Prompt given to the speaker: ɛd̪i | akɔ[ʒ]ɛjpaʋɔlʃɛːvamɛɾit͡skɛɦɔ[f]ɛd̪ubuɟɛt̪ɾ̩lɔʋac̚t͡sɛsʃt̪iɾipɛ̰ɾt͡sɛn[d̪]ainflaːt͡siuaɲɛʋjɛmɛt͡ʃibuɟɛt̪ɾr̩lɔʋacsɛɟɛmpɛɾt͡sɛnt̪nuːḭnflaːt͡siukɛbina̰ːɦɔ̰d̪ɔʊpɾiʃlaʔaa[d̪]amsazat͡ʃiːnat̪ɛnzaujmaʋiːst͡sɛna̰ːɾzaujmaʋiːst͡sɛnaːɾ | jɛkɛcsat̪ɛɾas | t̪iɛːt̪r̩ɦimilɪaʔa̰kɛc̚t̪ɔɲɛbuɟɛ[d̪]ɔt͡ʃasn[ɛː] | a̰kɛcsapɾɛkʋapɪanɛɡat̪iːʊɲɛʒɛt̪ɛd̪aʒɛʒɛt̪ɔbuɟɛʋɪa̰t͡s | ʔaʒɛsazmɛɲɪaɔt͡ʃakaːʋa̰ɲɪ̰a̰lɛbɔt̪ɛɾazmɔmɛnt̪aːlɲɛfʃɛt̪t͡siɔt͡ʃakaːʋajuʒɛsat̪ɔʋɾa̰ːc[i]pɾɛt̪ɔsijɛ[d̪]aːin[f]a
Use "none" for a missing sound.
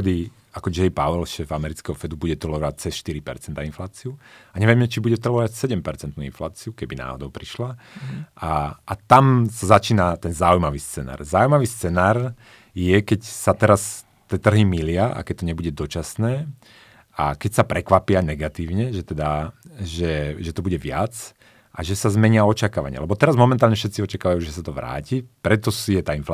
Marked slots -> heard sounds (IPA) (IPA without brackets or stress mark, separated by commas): d͡ʒ, f, t̪, t̪, d̪, ɛː, i, t̪, f